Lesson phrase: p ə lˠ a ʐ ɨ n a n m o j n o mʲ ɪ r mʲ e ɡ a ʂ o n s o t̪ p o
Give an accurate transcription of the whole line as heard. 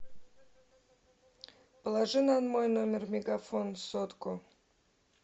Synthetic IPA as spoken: p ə lˠ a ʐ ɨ n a n m o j n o mʲ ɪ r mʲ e ɡ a f o n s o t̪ k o